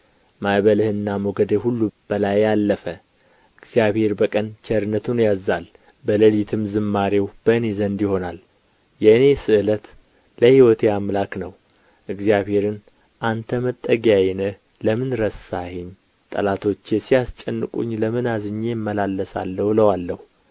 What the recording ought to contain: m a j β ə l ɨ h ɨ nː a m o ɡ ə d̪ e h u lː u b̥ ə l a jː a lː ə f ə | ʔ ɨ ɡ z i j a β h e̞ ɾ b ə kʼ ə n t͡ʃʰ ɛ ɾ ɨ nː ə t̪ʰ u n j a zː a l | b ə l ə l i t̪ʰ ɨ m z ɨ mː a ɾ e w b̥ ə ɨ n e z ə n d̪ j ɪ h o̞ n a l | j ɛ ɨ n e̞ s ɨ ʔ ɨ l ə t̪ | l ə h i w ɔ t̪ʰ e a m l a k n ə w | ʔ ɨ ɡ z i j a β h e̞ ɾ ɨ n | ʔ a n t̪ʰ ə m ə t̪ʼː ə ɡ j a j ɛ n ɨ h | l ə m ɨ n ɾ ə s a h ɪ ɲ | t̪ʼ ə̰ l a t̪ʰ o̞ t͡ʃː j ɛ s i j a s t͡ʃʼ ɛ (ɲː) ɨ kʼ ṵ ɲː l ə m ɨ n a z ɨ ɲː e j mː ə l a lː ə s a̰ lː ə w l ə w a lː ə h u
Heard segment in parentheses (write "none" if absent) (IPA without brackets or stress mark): nː